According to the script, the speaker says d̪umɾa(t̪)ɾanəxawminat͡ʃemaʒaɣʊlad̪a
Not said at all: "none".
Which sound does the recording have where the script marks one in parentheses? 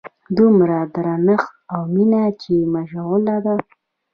d̪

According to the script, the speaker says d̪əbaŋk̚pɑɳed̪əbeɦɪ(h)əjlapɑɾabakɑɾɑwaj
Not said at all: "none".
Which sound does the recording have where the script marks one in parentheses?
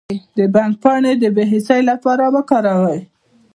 s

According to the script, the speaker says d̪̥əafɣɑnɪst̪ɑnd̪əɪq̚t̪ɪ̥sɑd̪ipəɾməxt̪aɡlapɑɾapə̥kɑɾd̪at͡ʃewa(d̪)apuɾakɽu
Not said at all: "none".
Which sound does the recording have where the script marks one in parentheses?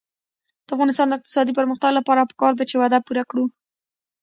d̪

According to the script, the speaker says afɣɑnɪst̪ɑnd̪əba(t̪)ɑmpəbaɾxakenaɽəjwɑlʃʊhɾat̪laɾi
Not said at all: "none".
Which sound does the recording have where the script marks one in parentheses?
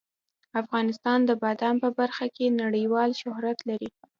d̪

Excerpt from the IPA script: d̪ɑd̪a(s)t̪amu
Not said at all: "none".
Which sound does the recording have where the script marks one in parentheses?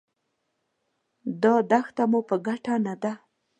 x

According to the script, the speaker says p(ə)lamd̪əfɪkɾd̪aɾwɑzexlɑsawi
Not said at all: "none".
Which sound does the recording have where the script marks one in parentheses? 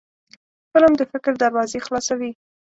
ə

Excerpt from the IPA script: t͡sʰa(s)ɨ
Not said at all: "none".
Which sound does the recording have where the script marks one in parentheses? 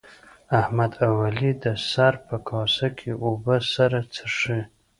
ʂ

